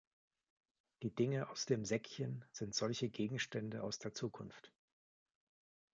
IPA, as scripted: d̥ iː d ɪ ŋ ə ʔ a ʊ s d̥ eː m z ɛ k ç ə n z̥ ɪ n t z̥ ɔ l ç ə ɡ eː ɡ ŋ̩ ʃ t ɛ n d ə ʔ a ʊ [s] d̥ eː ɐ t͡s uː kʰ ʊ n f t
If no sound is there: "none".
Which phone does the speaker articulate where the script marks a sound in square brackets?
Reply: s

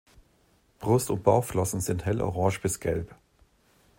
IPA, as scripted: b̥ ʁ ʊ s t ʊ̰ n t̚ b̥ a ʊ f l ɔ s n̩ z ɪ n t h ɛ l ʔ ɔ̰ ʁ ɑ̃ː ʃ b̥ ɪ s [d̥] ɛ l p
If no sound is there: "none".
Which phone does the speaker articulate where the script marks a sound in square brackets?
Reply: ɡ̥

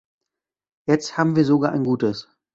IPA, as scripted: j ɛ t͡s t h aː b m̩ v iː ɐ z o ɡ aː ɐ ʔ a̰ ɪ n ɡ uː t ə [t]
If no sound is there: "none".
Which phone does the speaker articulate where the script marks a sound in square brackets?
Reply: s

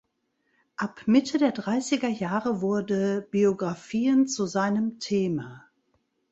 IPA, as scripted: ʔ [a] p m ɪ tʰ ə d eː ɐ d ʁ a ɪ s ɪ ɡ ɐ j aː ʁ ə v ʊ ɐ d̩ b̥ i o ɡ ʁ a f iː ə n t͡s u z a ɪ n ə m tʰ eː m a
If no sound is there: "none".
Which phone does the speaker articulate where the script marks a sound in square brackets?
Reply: a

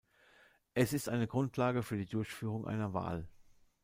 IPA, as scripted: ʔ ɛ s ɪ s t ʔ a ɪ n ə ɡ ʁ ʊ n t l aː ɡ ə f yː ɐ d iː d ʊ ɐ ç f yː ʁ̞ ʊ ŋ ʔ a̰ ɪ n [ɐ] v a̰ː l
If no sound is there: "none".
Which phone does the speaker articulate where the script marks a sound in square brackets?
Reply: ɐ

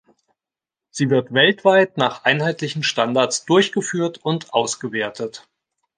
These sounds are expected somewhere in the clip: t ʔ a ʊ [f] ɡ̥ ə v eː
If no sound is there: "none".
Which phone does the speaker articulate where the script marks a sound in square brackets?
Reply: s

